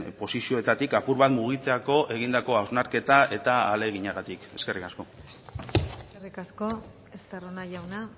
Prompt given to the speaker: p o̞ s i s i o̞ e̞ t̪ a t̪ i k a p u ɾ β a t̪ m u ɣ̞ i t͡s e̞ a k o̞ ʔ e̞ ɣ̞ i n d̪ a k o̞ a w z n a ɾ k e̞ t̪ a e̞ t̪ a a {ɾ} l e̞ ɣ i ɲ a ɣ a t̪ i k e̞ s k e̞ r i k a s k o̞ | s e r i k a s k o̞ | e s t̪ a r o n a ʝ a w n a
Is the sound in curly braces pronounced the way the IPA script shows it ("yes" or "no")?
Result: no